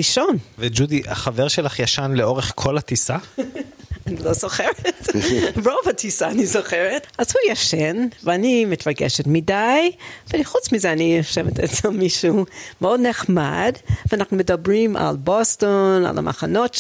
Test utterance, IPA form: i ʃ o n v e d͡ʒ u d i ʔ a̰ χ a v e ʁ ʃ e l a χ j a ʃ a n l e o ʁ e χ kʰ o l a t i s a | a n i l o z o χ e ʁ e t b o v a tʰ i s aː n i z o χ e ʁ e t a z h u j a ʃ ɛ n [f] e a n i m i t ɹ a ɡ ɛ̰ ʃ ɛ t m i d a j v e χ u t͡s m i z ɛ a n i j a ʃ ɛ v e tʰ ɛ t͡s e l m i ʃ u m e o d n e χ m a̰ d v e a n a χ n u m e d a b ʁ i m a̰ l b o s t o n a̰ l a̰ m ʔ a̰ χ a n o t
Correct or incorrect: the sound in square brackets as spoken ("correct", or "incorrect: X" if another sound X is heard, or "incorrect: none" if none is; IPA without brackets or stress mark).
incorrect: v